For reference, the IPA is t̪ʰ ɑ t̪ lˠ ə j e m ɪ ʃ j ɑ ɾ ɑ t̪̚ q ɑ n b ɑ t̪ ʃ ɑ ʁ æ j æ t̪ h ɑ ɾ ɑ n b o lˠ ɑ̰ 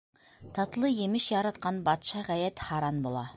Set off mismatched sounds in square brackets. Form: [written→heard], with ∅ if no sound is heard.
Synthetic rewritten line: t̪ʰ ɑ t̪ lˠ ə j e m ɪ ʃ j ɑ ɾ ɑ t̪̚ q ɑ n b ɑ t̪ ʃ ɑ ʁ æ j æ t̪ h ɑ ɾ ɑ n b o lˠ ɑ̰